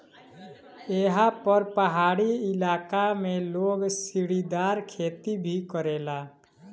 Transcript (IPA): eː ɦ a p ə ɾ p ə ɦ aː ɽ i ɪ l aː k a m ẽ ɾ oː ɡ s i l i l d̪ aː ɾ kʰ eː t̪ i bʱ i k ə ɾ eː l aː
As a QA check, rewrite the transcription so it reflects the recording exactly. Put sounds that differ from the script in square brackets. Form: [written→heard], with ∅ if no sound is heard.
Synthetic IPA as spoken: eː ɦ a p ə ɾ p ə ɦ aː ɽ i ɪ l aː k a m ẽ [ɾ→l] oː ɡ s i [l→ɽ] i [l→∅] d̪ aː ɾ kʰ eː t̪ i bʱ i k ə ɾ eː l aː